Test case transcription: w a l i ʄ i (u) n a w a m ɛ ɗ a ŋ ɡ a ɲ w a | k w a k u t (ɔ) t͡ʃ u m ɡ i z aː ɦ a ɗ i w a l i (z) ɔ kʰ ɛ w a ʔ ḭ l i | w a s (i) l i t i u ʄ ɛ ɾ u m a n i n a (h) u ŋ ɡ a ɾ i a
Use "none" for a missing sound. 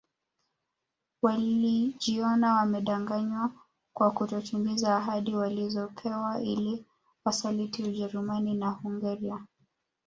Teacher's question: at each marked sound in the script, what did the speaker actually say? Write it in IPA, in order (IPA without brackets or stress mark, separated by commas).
ɔ, ɔ, z, a, h